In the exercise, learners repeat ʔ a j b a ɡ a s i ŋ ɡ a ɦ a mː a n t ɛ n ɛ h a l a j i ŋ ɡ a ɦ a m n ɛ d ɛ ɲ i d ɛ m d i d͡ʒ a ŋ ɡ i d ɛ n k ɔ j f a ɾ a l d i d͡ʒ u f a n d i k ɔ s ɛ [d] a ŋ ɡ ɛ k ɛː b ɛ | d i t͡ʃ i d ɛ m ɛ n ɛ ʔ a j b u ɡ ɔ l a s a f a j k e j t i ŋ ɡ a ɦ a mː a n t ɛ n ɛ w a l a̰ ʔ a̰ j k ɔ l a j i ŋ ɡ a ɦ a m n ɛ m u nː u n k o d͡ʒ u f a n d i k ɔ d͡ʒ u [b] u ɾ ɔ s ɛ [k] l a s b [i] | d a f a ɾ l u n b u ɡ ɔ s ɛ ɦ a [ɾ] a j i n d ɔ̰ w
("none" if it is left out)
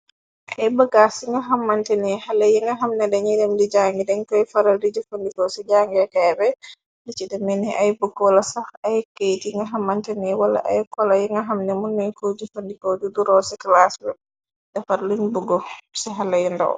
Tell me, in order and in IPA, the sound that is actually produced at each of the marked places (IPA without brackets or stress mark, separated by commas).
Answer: d͡ʒ, d, k, ɛ, l